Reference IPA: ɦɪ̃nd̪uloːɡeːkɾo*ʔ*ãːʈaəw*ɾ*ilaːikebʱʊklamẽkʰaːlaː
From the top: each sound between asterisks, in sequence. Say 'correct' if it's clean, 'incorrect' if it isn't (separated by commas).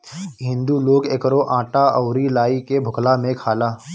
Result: correct, correct